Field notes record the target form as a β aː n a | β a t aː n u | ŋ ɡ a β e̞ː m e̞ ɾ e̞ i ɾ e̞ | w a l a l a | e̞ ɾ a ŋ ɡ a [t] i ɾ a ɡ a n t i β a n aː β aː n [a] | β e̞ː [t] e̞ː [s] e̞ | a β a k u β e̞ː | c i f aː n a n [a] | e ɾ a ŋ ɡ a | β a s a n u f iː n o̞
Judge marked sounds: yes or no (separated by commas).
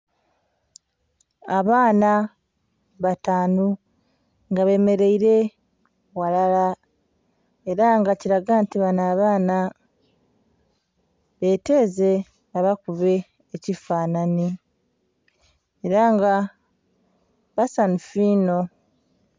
no, yes, yes, no, no